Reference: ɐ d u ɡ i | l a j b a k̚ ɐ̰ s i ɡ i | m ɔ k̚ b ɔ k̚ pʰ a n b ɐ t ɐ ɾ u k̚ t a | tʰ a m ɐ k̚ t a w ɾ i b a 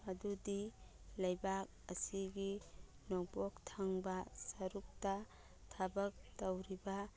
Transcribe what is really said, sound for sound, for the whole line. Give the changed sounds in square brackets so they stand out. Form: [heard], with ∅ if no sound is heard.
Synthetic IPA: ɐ d u [d] i | l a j b a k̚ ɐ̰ s i ɡ i | [n] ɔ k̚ b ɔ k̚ [tʰ] a [ŋ] b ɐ [s] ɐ ɾ u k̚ t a | tʰ a [b] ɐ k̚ t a w ɾ i b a